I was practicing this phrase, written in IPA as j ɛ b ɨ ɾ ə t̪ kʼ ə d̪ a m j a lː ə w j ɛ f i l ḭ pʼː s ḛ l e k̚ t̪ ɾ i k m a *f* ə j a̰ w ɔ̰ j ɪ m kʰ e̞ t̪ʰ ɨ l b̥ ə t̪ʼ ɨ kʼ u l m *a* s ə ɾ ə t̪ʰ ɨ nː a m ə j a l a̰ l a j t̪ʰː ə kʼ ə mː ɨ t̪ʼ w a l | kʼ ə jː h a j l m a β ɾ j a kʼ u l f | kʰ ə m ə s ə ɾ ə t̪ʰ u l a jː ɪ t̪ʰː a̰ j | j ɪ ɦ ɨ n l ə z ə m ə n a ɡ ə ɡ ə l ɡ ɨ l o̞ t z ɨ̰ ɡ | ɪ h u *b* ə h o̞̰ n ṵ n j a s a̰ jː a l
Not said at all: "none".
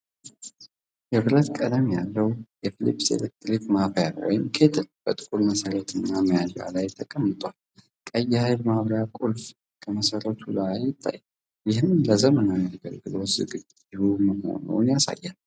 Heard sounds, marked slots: f, ə, m

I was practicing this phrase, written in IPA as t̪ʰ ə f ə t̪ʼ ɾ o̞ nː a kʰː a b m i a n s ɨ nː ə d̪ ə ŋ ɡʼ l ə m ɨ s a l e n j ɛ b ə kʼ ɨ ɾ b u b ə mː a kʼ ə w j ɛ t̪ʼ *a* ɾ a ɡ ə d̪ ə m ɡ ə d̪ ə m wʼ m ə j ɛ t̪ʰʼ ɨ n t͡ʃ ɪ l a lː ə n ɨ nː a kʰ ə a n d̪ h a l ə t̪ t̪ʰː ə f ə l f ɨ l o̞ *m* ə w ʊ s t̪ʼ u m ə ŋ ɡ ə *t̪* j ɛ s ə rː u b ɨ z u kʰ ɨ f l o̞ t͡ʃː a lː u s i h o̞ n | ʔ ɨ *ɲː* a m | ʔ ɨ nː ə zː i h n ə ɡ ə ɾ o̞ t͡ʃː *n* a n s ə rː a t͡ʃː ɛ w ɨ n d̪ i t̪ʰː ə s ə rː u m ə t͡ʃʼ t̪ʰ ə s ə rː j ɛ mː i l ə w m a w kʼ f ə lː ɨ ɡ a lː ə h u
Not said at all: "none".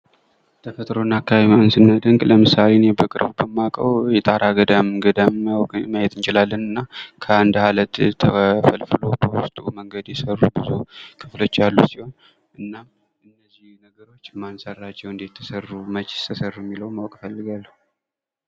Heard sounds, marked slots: a, b, d̪, nː, m

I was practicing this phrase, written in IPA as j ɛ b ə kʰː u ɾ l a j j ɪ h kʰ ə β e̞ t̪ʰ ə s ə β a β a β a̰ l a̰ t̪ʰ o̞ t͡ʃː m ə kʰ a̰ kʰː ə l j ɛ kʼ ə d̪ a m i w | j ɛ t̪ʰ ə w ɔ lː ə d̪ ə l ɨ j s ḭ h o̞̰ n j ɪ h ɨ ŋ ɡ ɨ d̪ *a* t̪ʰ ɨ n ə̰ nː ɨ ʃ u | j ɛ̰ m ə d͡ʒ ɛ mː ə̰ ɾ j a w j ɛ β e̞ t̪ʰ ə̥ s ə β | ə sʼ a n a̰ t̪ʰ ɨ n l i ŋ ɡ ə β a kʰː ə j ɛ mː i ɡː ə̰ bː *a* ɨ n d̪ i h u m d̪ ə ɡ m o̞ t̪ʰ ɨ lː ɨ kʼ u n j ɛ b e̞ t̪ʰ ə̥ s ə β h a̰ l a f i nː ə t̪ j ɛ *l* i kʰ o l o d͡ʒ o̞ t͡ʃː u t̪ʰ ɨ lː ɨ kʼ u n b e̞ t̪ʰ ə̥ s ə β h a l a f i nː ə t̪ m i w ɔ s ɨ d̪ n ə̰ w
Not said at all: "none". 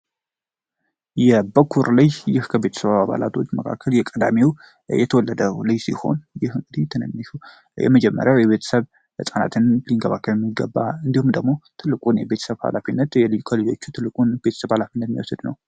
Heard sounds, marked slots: i, a, l

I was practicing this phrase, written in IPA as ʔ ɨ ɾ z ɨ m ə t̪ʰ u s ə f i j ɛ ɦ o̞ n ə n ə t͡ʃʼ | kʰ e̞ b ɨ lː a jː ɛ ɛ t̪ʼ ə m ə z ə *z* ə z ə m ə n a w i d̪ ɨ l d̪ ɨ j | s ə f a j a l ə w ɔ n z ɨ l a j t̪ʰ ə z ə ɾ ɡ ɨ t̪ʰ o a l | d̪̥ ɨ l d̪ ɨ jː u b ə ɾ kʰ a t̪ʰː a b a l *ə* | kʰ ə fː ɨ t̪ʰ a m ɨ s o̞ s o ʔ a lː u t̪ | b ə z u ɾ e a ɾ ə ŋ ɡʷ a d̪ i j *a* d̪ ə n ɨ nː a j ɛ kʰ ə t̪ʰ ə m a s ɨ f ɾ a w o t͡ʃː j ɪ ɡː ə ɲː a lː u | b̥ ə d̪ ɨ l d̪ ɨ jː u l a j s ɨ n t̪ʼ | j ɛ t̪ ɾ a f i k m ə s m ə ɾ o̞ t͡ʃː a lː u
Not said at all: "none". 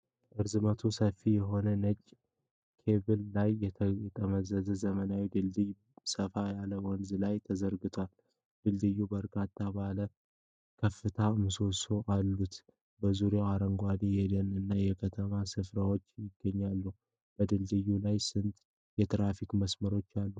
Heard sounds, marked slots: z, ə, ɛ

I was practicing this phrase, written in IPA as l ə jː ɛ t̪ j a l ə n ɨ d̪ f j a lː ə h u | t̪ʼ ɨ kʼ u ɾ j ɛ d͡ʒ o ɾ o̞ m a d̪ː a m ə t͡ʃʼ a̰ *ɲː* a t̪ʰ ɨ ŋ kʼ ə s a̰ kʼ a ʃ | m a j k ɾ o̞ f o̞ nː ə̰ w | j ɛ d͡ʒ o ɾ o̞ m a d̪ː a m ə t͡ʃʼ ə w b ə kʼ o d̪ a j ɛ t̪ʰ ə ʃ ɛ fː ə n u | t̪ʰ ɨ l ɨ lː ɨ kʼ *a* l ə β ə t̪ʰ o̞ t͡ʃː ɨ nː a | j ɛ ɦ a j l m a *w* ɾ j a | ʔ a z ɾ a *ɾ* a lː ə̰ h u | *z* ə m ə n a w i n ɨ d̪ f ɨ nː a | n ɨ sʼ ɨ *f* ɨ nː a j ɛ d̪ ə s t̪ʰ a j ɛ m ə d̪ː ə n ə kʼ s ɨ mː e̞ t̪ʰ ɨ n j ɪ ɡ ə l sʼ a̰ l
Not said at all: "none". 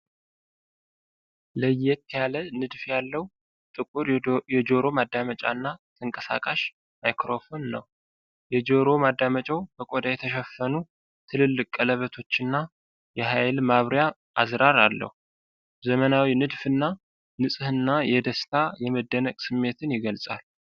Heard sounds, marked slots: nː, ə, β, ɾ, z, h

